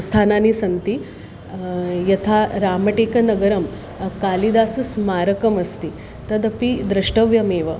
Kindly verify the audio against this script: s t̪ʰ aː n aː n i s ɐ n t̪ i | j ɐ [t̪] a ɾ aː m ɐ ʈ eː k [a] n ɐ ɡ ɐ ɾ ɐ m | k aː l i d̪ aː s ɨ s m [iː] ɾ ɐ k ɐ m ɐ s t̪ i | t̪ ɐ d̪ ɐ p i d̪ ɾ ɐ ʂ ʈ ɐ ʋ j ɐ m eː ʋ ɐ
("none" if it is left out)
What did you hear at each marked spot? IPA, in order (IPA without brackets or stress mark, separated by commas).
t̪ʰ, ɐ, aː